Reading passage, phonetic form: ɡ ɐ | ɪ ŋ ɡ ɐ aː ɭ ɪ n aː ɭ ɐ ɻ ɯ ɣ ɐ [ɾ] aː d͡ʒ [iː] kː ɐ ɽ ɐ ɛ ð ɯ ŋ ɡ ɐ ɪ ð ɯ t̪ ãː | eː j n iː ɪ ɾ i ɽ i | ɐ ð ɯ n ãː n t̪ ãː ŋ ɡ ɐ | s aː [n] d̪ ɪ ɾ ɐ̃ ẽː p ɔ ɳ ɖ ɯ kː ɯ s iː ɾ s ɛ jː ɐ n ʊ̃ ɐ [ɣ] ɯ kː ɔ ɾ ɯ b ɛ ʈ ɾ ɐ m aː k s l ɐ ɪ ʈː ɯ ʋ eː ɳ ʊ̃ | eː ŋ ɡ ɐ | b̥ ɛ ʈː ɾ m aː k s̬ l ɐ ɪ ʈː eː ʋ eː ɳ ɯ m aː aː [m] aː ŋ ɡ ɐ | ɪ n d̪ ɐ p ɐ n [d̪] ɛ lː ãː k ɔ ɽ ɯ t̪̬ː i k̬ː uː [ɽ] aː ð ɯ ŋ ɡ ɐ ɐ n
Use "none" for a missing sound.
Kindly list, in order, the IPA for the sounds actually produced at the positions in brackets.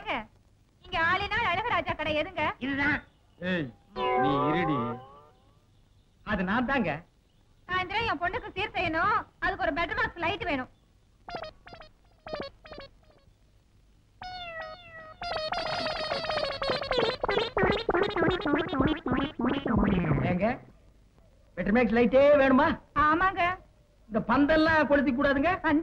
ɾ, aː, n, ð, m, d̪, ɽ

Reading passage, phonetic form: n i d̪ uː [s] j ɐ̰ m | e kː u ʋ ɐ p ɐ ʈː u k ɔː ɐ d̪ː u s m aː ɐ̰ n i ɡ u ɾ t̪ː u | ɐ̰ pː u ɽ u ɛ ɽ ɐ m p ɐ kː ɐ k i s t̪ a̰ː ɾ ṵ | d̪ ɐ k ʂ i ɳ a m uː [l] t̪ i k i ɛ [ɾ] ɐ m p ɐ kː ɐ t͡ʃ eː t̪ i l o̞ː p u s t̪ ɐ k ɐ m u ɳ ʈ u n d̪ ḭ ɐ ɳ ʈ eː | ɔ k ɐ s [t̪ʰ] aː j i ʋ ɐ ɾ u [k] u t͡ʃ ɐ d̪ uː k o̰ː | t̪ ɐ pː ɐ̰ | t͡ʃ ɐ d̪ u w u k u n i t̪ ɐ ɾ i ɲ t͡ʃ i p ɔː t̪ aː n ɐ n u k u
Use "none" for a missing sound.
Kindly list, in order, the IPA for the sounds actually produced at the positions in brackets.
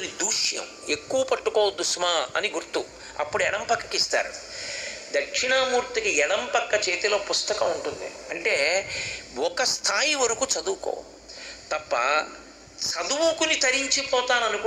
ʂ, ɾ, ɽ, t̪ʰ, k

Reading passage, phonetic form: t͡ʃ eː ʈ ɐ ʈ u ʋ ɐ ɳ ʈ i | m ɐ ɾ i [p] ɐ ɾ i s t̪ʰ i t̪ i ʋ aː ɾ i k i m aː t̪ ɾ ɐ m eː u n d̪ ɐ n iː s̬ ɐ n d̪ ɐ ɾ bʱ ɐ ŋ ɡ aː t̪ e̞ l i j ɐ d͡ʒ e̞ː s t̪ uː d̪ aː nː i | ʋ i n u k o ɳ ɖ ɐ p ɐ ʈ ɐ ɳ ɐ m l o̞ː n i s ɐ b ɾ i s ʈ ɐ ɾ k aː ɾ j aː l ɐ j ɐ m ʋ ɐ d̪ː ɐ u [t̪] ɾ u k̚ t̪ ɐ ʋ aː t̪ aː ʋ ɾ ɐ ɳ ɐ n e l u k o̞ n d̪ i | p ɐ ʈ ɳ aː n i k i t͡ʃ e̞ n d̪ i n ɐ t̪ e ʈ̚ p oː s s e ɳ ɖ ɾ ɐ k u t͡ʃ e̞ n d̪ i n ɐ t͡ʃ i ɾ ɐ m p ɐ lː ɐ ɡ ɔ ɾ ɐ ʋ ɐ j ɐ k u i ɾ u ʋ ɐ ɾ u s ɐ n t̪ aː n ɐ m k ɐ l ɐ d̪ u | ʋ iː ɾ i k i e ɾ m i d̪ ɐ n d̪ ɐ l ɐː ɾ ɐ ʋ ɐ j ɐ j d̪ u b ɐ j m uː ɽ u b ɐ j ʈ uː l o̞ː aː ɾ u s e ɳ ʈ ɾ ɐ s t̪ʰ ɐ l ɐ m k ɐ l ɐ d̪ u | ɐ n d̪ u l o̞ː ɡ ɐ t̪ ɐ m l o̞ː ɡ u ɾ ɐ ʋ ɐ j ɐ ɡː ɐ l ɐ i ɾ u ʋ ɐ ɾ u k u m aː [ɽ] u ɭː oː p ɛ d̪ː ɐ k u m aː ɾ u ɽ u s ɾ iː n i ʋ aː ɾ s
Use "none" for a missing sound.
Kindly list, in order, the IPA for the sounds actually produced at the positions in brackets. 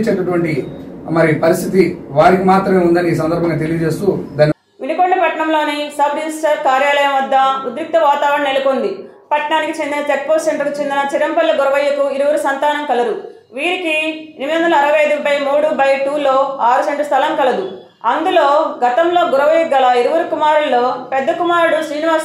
p, d̪, ɾ

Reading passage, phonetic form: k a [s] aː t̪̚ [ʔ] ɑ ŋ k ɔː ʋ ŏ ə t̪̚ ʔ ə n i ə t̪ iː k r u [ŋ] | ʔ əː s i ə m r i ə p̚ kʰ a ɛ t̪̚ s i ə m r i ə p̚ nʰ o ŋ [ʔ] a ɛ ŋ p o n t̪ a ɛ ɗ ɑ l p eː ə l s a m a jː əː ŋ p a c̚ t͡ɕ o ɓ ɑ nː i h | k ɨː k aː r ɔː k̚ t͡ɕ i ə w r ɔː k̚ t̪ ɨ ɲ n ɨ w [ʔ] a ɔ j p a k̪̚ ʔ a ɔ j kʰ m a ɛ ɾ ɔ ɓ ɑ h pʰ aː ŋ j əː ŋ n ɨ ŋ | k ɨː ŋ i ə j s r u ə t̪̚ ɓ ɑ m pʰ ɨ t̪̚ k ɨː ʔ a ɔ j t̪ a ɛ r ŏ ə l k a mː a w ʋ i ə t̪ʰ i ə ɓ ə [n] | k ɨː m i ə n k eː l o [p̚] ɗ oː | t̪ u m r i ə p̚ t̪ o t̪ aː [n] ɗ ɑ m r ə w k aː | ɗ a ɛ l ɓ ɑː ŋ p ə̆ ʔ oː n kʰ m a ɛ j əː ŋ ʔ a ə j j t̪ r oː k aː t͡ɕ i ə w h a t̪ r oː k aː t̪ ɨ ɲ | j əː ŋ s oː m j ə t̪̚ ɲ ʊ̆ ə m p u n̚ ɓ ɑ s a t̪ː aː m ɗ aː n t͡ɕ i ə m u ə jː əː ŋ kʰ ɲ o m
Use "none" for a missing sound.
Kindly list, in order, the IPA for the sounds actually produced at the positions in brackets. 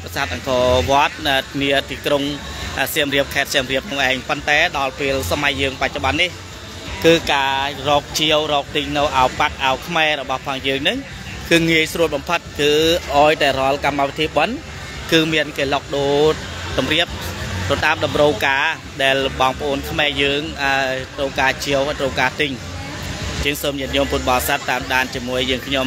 s, ʔ, ŋ, ʔ, ʔ, n, k̚, m

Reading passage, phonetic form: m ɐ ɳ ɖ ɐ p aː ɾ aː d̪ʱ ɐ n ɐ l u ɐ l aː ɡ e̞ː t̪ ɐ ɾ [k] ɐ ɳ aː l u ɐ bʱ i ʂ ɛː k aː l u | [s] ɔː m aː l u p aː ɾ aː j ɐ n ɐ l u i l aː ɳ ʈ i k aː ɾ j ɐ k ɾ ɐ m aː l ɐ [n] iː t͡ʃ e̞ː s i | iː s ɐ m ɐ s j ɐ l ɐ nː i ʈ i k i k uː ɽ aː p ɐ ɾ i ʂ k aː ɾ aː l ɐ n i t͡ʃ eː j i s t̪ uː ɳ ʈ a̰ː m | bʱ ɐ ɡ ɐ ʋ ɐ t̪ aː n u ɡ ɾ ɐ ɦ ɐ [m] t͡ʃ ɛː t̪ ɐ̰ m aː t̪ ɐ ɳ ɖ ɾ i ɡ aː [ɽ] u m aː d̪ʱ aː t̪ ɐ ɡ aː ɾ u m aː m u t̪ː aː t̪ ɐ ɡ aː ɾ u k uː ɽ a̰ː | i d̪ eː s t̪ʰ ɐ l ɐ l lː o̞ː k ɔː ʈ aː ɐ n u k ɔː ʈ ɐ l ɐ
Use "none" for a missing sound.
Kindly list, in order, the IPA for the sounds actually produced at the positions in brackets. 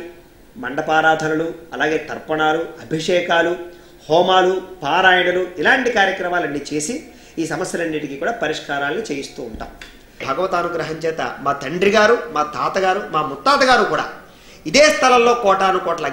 p, h, nː, ɲ, ɾ

